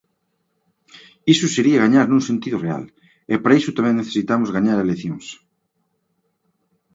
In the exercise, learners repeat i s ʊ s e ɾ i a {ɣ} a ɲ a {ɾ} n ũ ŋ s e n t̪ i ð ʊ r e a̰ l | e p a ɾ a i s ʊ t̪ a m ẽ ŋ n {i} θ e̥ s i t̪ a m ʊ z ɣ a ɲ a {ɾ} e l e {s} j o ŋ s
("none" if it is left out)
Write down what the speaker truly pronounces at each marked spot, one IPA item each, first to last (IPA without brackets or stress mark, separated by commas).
ɣ, ɾ, e, ɾ, θ